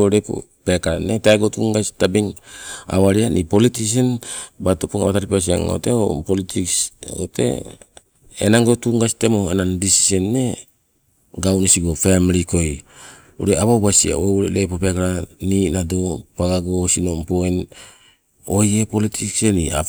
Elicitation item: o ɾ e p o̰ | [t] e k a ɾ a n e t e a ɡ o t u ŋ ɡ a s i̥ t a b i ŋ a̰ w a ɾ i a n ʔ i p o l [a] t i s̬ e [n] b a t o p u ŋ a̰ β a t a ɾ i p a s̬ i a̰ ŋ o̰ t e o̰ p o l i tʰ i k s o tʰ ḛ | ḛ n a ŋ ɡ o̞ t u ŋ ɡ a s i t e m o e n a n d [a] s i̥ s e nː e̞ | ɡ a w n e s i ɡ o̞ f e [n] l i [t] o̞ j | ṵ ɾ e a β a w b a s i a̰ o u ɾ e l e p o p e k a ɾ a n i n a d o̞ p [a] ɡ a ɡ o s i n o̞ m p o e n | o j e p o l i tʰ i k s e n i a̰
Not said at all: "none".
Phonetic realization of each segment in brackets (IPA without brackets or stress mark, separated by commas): p, i, n, i, m, k, a